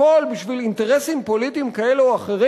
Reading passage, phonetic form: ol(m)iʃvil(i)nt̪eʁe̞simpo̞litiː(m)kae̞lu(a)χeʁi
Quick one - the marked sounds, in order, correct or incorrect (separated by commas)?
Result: incorrect, correct, correct, correct